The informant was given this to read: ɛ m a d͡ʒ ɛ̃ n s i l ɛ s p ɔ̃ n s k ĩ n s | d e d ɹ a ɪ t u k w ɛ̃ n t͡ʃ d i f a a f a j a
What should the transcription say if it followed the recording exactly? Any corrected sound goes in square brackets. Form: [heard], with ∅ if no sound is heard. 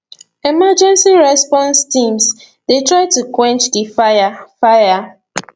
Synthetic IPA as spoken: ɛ m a d͡ʒ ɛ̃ n s i [ɹ] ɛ s p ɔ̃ n s [t] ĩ [m] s | d e [t] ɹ a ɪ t u k w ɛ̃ n t͡ʃ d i f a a f a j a